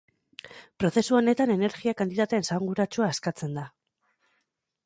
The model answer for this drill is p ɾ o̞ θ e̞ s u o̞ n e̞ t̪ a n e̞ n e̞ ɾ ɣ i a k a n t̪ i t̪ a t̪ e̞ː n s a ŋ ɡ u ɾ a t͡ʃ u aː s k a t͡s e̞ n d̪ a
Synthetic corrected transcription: p ɾ o̞ θ e̞ s u o̞ n e̞ t̪ a n e̞ n e̞ ɾ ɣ i a k a n t̪ i t̪ a t̪ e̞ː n s a ŋ ɡ u ɾ a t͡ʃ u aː s k a t͡s e̞ n d̪ a